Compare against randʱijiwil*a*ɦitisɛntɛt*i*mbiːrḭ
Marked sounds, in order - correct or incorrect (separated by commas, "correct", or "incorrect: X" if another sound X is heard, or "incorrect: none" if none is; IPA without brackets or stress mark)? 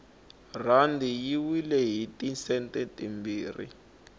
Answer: incorrect: ɛ, correct